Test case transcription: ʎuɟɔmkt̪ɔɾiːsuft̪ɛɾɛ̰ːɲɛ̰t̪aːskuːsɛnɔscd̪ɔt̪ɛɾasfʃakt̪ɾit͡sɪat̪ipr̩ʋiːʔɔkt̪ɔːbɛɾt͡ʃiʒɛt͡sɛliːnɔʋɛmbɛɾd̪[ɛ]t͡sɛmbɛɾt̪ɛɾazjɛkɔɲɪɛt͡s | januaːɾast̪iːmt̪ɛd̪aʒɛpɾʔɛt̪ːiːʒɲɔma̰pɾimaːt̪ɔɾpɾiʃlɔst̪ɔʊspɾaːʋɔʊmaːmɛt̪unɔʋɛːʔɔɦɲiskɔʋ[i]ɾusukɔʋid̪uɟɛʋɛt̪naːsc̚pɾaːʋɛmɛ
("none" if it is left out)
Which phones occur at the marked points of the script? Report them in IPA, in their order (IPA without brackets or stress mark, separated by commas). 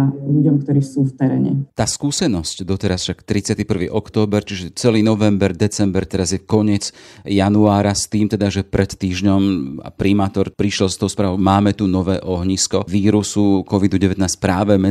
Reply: ɛ, iː